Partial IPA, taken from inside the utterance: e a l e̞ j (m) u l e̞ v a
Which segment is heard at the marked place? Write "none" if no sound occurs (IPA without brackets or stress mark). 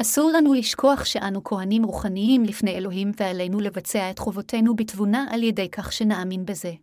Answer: n